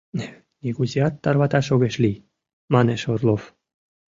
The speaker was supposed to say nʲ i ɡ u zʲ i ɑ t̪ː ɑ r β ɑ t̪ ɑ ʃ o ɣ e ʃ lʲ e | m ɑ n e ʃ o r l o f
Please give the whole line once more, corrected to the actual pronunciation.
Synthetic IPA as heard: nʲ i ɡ u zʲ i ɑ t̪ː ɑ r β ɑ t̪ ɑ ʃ o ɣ e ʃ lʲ i | m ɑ n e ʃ o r l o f

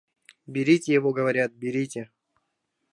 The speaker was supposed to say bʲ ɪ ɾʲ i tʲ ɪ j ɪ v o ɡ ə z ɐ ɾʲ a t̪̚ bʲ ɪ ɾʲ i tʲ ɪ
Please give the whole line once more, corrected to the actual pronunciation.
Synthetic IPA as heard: bʲ ɪ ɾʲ i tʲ ɪ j ɪ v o ɡ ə v ɐ ɾʲ a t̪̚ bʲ ɪ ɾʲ i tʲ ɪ

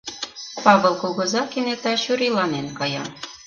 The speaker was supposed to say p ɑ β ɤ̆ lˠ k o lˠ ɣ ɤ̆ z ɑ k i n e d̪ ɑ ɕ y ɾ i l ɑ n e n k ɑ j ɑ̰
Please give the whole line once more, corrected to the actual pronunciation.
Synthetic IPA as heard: p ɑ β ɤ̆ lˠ k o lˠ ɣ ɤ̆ z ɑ k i n e t̪ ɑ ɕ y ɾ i l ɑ n e n k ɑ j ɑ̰

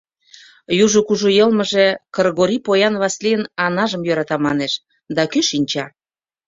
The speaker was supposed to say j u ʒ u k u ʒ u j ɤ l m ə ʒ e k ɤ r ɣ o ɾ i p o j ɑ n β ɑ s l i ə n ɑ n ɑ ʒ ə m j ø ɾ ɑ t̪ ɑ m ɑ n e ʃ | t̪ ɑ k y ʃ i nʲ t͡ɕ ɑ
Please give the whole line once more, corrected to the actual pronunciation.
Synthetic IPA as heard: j u ʒ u k u ʒ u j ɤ l m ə ʒ e k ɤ r ɣ o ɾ i p o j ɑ n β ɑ s l i ə n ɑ n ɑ ʒ ə m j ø ɾ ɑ t̪ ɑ m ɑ n e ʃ | d̪ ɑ k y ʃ i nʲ t͡ɕ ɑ

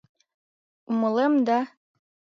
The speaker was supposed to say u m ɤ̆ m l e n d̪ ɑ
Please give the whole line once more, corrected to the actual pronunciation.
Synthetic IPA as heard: u m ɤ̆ l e m d̪ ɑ

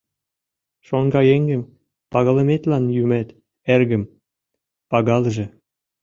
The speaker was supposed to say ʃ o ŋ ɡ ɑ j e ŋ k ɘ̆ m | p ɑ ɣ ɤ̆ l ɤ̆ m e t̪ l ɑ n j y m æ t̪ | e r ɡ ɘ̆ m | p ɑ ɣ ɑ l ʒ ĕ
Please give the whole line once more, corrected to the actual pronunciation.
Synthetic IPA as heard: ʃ o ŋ ɡ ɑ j e ŋ ɡ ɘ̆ m | p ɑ ɣ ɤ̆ l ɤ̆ m e t̪ l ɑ n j y m æ t̪ | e r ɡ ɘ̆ m | p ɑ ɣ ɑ l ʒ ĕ

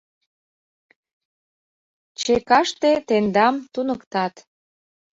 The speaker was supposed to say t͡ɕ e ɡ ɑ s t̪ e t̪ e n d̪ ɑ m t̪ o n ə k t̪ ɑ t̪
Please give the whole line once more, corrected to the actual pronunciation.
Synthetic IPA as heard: t͡ɕ e k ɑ ʃ t̪ e t̪ e n d̪ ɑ m t̪ u n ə k t̪ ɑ t̪

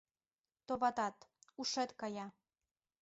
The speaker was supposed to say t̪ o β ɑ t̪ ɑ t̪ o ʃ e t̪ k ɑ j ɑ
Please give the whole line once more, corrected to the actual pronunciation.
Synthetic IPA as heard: t̪ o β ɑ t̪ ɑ t̪ u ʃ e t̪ k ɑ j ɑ

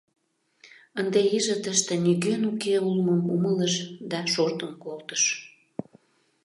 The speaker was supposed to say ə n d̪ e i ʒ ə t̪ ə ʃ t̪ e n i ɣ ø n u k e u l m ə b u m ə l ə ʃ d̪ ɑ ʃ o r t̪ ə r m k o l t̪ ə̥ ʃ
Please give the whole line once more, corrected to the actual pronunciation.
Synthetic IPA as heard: ə n d̪ e i ʒ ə t̪ ə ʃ t̪ e n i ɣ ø n u k e u l m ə m u m ə l ə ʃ d̪ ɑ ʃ o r t̪ ə m k o l t̪ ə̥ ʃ

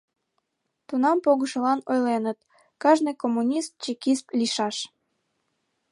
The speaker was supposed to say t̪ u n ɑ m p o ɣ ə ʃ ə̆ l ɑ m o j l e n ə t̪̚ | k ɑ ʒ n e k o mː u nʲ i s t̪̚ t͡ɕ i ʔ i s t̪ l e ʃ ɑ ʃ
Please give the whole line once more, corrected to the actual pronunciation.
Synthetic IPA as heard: t̪ u n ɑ m p o ɣ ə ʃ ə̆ l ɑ n o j l e n ə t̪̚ | k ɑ ʒ n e k o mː u nʲ i s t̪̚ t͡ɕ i k i s t̪ l i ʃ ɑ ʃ

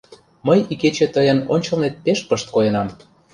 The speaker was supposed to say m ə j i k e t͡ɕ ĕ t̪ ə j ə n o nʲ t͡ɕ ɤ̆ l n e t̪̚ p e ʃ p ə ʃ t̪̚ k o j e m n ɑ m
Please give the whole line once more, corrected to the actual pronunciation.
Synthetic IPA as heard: m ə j i k e t͡ɕ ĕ t̪ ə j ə n o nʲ t͡ɕ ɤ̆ l n e t̪̚ p e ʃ p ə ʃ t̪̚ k o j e n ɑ m

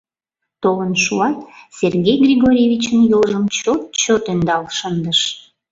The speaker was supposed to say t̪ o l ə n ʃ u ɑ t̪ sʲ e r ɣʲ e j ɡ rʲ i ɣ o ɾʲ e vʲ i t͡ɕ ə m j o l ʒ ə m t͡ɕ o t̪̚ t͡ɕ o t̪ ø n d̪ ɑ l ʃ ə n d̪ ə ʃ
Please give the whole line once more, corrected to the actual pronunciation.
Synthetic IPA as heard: t̪ o l ə n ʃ u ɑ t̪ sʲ e r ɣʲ e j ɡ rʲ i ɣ o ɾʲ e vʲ i t͡ɕ ə n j o l ʒ ə m t͡ɕ o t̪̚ t͡ɕ o t̪ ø n d̪ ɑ l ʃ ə n d̪ ə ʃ

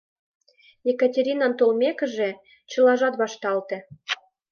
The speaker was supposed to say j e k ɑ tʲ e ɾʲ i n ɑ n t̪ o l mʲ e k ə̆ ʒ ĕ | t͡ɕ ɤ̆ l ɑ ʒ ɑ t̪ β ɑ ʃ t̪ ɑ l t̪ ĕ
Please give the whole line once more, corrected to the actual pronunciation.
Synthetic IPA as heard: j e k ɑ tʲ e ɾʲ i n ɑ n t̪ o l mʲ e k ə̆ ʒ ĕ | t͡ɕ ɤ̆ l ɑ ʒ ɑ t̪ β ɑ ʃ t̪ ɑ l t̪ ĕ

